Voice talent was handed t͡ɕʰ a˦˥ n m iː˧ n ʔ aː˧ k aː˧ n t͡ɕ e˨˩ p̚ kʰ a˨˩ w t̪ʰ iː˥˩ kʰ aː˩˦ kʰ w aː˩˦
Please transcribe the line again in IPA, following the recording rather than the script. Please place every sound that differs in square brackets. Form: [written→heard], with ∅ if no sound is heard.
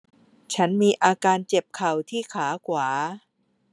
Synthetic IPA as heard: t͡ɕʰ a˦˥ n m iː˧ [n→∅] ʔ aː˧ k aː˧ n t͡ɕ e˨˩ p̚ kʰ a˨˩ w t̪ʰ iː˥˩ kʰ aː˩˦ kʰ w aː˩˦